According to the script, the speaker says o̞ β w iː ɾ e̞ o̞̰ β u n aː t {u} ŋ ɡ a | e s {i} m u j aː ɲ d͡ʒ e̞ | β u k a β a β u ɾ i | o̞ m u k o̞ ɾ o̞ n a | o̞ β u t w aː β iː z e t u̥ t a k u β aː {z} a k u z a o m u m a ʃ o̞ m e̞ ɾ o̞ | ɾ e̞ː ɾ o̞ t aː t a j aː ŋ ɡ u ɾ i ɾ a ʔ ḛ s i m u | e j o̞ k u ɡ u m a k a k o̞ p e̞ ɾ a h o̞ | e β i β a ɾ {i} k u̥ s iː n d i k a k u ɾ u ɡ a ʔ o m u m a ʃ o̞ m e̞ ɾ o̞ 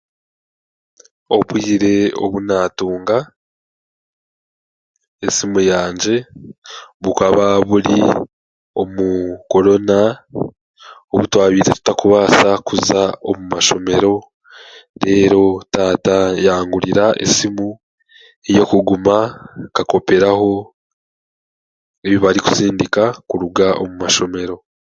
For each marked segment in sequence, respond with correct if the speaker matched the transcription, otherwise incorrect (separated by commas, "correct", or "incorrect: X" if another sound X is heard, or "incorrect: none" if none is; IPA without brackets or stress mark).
incorrect: uː, correct, incorrect: s, correct